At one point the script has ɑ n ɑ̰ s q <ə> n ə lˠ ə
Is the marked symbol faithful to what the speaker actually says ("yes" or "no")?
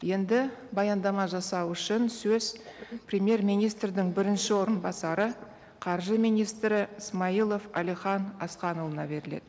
no